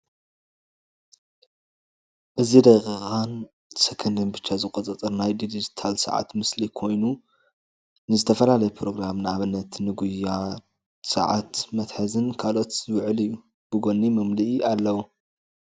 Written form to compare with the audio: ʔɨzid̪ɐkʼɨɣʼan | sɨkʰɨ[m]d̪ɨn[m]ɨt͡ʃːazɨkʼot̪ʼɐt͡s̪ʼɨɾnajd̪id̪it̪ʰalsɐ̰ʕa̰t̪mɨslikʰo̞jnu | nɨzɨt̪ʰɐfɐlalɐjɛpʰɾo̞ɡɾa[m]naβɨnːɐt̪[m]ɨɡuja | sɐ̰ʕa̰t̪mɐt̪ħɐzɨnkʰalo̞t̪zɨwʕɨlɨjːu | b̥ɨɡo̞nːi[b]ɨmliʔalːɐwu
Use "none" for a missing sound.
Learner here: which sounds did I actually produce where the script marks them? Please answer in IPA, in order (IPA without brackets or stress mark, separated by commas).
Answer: n, b, m, n, m